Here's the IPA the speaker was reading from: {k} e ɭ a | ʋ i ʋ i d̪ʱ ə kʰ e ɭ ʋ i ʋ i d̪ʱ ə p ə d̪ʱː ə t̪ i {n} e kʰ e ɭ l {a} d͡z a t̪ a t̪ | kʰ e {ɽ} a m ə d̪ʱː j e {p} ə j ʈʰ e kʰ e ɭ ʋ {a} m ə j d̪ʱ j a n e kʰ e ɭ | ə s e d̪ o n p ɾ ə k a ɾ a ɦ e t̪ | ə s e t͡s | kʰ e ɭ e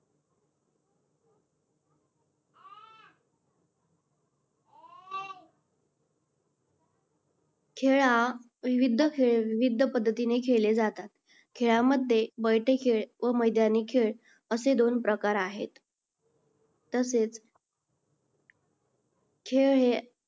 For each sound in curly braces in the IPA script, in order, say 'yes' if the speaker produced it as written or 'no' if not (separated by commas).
no, yes, no, no, no, no